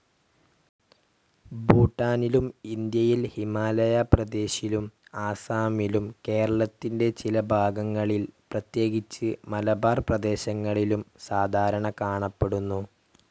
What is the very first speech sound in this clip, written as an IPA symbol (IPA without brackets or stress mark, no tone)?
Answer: b